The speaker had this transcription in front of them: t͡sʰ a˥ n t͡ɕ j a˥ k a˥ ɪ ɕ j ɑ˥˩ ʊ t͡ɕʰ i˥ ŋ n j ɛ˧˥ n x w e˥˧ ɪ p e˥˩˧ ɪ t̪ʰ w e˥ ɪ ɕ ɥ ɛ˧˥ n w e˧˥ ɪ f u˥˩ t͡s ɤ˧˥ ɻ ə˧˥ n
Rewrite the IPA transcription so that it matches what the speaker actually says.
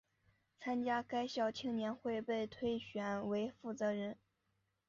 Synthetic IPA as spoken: t͡sʰ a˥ n t͡ɕ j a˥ k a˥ ɪ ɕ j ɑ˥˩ ʊ t͡ɕʰ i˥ ŋ n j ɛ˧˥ n x w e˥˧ ɪ p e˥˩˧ ɪ t̪ʰ w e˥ ɪ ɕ ɥ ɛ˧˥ n w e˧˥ ɪ f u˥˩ t͡s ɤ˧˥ ɻ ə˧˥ n